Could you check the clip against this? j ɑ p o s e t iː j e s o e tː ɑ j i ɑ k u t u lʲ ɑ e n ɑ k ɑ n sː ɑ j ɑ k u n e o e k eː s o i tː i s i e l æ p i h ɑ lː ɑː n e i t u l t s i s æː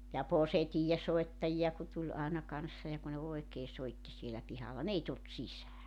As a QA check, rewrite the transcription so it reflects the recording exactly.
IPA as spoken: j ɑ p o s e t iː j e s o e tː ɑ j i ɑ k u t u lʲ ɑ e n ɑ k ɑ n sː ɑ j ɑ k u n e o e k eː s o i tː i s i e l æ p i h ɑ lː ɑ n e i t u l t s i s æː